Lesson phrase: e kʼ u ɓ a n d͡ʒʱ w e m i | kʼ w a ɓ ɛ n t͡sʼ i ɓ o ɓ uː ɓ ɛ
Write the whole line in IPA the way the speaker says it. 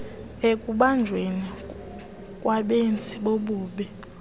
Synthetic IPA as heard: e kʼ u ɓ a n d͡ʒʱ w e n i | kʼ w a ɓ e n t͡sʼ i ɓ o ɓ uː ɓ ɛ